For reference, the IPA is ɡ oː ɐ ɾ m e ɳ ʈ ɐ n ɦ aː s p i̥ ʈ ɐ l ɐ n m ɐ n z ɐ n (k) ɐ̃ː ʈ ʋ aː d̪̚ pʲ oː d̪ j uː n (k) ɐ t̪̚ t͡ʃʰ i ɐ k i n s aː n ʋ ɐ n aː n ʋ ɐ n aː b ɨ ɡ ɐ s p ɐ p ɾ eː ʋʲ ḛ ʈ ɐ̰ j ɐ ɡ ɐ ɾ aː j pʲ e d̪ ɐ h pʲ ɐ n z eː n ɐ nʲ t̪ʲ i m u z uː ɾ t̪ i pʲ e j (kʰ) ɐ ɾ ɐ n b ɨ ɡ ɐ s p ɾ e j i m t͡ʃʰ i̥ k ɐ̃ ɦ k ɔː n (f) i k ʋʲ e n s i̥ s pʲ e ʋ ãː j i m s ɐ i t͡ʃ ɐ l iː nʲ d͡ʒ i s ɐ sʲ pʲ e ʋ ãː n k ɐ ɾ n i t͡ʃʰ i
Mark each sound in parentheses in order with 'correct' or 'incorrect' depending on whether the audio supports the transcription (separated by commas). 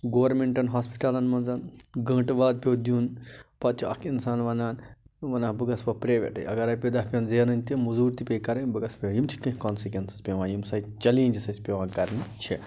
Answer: incorrect, incorrect, incorrect, incorrect